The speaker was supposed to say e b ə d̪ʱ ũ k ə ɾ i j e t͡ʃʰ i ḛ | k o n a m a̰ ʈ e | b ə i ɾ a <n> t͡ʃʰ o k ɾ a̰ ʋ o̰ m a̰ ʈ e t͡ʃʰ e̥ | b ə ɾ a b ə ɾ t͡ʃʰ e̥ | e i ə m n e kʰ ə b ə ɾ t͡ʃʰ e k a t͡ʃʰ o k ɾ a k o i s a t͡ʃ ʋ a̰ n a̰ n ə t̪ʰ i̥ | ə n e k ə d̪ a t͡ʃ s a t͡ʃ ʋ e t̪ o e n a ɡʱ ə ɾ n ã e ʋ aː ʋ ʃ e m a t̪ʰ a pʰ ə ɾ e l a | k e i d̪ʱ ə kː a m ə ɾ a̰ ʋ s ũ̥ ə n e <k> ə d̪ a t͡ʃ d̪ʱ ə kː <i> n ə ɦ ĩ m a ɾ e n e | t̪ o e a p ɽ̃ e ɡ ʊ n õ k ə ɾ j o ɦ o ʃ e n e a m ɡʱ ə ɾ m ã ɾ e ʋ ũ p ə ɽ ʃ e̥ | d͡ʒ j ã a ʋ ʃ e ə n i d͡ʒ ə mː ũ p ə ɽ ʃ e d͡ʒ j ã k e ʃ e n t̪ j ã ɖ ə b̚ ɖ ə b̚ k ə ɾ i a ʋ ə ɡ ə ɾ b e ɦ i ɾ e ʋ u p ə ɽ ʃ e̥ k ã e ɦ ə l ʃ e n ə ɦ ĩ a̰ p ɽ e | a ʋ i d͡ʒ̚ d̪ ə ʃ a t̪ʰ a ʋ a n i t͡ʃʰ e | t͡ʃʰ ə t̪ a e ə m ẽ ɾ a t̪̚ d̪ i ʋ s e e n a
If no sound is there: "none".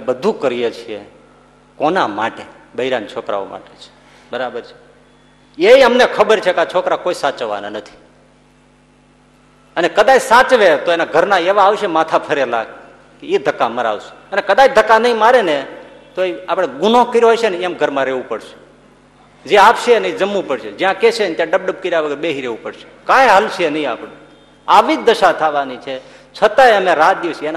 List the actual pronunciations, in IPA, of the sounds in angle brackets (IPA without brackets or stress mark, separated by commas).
n, k, a